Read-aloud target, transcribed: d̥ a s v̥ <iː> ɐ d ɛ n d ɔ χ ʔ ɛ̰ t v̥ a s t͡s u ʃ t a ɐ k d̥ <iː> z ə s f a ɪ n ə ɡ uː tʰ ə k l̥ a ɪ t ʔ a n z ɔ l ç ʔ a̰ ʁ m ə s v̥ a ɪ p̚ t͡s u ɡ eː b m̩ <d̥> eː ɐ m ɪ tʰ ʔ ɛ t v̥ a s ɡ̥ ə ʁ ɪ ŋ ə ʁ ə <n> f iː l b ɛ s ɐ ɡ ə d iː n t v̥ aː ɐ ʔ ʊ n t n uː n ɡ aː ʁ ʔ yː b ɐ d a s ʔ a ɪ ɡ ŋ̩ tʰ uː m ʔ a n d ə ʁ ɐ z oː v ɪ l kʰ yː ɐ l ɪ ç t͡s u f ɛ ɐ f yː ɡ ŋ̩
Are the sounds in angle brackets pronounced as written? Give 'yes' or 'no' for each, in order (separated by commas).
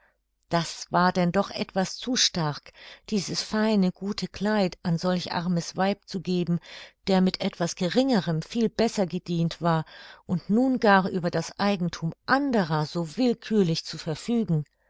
no, yes, yes, no